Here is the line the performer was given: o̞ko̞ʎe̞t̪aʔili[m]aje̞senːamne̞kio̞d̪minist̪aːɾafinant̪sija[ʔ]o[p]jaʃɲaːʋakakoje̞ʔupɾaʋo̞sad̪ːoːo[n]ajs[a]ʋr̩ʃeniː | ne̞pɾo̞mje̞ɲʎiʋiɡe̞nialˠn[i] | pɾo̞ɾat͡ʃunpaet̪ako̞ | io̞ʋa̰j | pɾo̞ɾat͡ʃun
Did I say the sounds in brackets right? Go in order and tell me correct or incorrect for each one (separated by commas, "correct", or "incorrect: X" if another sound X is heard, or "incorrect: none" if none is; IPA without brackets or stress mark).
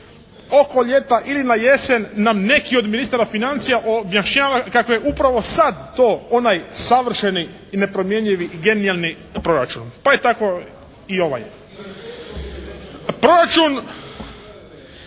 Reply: incorrect: n, correct, incorrect: b, correct, correct, correct